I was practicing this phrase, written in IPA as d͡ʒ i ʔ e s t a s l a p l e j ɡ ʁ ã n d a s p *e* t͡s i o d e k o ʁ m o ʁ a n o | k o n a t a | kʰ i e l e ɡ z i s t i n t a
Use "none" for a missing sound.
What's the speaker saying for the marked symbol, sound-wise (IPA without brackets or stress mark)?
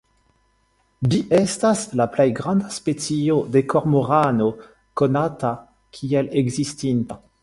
e